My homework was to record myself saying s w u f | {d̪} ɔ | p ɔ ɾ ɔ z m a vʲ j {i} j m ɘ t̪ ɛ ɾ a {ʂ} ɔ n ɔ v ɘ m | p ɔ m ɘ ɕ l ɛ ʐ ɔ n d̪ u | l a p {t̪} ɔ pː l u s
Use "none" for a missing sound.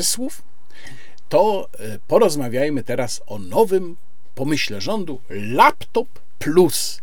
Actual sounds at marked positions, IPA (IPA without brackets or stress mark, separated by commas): t̪, a, s, t̪